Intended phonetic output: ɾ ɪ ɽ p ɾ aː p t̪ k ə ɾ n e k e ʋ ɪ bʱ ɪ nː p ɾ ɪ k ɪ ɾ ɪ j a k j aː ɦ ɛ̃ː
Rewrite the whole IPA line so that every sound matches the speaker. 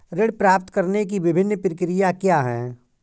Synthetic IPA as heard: ɾ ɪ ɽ p ɾ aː p t̪ k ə ɾ n e k i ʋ ɪ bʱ ɪ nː p ɾ ɪ k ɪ ɾ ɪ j a k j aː ɦ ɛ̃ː

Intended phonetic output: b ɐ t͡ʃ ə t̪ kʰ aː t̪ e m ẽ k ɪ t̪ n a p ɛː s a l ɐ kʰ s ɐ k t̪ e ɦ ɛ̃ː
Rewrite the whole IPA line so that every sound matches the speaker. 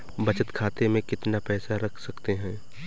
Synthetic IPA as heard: b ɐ t͡ʃ ə t̪ kʰ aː t̪ e m ẽ k ɪ t̪ n a p ɛː s a ɾ ɐ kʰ s ɐ k t̪ e ɦ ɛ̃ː

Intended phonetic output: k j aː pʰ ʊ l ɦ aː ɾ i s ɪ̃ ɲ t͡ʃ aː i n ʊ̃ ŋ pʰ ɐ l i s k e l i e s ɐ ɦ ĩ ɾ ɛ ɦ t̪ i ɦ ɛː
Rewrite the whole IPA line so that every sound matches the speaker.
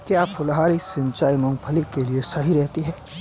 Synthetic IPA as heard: k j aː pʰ ʊ l ɦ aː ɾ i s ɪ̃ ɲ t͡ʃ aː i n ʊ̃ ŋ pʰ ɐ l i k e l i e s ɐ ɦ i ɾ ɛ ɦ t̪ i ɦ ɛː

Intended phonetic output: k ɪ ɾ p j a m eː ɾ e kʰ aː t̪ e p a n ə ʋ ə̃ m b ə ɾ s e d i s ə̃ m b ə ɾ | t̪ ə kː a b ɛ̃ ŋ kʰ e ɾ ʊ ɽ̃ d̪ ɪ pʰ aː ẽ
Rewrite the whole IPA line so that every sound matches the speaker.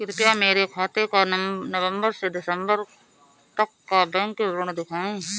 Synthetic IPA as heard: k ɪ ɾ p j a m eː ɾ e kʰ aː t̪ e k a n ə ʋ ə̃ m b ə ɾ s e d ɪ s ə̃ m b ə ɾ | t̪ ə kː a b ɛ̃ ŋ k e ɾ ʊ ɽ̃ d̪ ɪ kʰ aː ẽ

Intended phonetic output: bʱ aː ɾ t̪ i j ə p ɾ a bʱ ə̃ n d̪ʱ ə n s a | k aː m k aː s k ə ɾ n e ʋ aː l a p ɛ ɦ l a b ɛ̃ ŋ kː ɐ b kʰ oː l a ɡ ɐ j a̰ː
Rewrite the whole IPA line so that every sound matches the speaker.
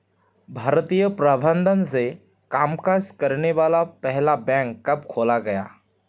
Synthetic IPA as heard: bʱ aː ɾ t̪ i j ə p ɾ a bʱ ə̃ n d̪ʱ ə n s e | k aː m k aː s k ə ɾ n e ʋ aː l a p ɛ ɦ l a b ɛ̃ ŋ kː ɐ b kʰ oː l a ɡ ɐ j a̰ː

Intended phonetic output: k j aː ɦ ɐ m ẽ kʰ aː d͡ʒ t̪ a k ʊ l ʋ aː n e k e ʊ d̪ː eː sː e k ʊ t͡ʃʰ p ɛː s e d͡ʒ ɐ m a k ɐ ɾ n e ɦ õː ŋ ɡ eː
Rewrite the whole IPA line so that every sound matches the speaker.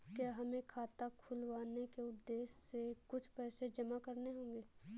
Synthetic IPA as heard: k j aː ɦ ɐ m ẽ kʰ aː t̪ a kʰ ʊ l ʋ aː n e k e ʊ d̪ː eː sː e k ʊ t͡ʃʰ p ɛː s e d͡ʒ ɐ m a k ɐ ɾ n e ɦ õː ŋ ɡ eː

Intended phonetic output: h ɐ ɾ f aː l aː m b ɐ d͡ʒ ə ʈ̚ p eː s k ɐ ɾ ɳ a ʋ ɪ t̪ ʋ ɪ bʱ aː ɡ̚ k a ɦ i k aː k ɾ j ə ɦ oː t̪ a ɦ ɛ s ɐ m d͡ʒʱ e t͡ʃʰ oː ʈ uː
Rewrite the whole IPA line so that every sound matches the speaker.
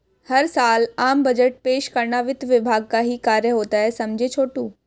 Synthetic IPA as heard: h ɐ ɾ s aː l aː m b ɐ d͡ʒ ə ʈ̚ p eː ʃ k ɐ ɾ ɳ a ʋ ɪ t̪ ʋ ɪ bʱ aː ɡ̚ k a ɦ i k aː ɾ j ə ɦ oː t̪ a ɦ ɛ s ɐ m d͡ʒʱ e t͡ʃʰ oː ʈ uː

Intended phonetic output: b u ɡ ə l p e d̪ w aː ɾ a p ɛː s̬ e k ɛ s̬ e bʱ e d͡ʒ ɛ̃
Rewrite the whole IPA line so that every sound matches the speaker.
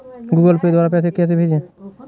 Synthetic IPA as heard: ɡ u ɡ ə l p e d̪ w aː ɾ a p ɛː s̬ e k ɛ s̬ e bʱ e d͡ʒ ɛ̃

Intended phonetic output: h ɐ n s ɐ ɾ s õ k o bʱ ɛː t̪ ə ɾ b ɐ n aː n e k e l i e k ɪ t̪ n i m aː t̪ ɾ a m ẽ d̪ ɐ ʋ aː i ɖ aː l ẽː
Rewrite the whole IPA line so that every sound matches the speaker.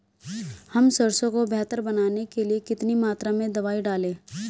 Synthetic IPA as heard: h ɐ m s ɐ ɾ s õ k o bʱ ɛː t̪ ə ɾ b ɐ n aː n e k e l i e k ɪ t̪ n i m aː t̪ ɾ a m ẽ d̪ ɐ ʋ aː i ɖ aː l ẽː

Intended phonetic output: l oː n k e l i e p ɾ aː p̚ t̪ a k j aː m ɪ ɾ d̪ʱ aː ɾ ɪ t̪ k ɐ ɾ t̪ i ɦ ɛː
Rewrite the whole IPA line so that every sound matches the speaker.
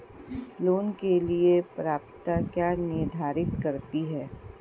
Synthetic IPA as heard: l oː n k e l i e p ɾ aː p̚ t̪ a k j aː n ɪ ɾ d̪ʱ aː ɾ ɪ t̪ k ɐ ɾ t̪ i ɦ ɛː

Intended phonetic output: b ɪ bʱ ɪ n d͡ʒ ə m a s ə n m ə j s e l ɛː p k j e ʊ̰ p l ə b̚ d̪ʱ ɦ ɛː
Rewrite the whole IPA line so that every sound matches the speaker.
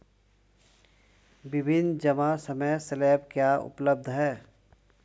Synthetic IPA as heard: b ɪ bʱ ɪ n d͡ʒ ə m a s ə m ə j s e l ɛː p k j a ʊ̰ p l ə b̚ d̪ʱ ɦ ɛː

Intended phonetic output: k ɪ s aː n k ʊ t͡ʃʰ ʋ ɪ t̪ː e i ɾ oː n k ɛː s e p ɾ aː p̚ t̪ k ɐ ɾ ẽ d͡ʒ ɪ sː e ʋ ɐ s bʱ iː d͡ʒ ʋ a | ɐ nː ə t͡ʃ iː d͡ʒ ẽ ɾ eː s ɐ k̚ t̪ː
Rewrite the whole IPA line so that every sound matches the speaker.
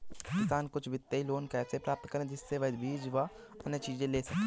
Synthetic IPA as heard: k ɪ s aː n k ʊ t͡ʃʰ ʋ ɪ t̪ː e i l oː n k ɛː s e p ɾ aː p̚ t̪ k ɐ ɾ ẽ d͡ʒ ɪ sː e ʋ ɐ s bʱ iː d͡ʒ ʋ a | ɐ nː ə t͡ʃ iː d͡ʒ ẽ l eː s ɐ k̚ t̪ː

